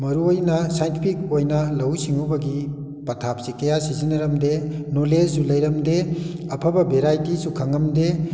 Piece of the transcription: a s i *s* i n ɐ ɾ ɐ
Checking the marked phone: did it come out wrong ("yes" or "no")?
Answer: yes